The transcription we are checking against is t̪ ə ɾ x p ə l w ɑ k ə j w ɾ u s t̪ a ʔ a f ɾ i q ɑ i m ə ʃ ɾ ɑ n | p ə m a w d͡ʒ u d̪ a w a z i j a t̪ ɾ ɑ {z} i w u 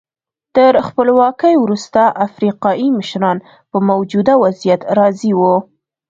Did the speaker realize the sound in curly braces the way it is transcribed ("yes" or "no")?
yes